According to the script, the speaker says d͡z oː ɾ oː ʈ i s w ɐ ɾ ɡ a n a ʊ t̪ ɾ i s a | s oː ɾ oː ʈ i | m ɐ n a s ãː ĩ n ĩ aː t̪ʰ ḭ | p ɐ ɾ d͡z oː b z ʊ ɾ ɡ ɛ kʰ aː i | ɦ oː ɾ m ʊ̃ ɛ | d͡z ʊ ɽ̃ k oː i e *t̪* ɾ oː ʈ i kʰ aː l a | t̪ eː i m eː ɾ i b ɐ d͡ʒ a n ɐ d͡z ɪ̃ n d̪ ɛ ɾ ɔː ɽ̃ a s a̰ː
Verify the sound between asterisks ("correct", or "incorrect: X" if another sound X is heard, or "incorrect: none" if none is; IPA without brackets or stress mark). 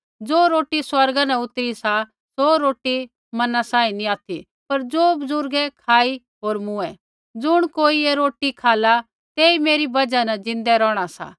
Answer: incorrect: none